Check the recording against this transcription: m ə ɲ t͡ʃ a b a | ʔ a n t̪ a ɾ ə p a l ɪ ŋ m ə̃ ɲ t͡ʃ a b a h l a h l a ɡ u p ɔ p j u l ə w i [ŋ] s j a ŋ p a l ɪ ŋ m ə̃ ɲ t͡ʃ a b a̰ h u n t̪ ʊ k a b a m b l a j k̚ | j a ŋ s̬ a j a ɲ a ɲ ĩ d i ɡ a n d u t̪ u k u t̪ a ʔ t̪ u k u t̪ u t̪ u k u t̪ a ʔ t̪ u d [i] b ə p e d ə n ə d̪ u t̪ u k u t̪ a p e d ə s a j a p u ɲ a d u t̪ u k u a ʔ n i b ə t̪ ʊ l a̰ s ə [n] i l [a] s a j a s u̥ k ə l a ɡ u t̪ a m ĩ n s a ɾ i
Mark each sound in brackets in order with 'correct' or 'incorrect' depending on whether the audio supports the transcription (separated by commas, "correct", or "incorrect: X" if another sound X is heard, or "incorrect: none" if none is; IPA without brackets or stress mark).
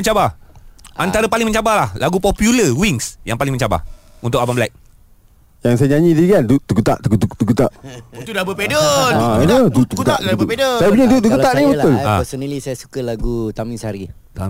correct, incorrect: a, correct, incorrect: i